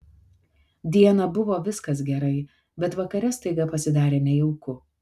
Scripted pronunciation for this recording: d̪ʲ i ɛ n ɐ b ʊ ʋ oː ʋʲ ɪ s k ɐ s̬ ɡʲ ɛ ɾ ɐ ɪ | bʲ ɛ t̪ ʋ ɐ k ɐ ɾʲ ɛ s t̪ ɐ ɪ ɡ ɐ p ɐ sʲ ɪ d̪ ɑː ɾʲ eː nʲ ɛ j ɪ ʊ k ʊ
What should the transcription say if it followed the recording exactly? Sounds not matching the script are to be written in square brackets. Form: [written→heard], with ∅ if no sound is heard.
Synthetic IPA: d̪ʲ i ɛ n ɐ b ʊ ʋ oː ʋʲ ɪ s k ɐ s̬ ɡʲ ɛ ɾ ɐ ɪ | bʲ ɛ t̪ ʋ ɐ k ɐ ɾʲ ɛ s t̪ ɐ ɪ ɡ ɐ p ɐ sʲ ɪ d̪ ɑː ɾʲ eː nʲ ɛ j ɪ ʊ k ʊ